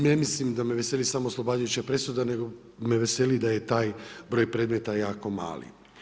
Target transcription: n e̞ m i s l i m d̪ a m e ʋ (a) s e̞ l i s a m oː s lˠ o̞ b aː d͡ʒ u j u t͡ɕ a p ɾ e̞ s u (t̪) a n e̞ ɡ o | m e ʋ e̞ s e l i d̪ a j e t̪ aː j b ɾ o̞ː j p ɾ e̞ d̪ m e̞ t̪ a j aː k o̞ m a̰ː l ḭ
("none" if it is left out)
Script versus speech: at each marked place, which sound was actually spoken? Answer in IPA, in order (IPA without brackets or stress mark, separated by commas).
e, d̪